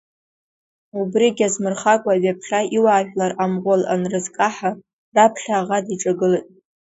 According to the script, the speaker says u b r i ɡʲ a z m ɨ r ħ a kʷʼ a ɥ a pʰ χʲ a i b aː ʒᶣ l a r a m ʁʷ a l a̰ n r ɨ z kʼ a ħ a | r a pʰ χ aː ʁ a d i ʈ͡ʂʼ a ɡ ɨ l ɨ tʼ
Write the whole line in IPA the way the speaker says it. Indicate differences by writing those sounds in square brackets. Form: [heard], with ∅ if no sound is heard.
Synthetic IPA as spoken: u b r i ɡʲ a z m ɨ r [χ] a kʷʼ a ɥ a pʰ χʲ a i [w] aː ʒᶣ l a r a m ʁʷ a l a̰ n r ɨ z kʼ a ħ a | r a pʰ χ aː ʁ a d i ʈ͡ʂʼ a ɡ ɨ l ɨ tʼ